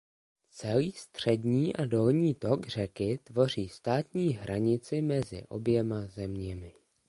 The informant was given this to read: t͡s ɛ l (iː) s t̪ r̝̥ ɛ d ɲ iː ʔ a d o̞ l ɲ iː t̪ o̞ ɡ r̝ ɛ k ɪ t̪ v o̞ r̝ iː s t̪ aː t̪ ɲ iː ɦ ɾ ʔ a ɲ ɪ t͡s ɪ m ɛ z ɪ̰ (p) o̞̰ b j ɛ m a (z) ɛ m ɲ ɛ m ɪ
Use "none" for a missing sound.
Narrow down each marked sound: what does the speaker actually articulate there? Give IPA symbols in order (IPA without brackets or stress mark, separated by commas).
iː, ʔ, z